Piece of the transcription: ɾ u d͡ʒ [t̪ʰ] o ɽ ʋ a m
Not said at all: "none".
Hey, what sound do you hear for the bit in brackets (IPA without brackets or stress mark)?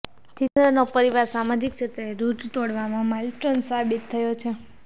t̪